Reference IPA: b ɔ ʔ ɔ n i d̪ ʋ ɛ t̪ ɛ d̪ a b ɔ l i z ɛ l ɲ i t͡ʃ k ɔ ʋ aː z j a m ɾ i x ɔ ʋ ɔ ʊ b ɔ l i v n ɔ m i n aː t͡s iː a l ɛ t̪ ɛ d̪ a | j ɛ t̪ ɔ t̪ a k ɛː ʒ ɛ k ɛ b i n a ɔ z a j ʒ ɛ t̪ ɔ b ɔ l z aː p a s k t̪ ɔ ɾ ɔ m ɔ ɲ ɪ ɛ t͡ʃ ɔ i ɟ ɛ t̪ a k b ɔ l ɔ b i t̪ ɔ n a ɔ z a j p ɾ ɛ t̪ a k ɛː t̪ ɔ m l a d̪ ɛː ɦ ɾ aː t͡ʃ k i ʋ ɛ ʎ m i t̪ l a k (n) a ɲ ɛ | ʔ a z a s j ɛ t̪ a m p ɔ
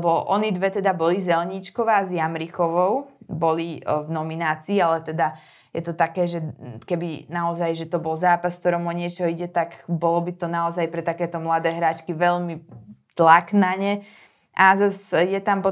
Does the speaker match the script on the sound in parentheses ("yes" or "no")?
yes